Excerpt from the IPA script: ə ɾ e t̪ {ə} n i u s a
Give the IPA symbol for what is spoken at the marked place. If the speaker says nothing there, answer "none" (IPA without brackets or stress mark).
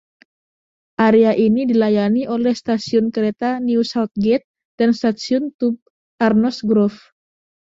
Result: a